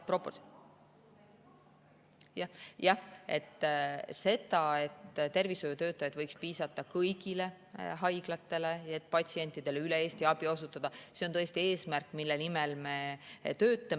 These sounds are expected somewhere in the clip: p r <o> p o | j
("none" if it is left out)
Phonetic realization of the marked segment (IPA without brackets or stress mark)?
o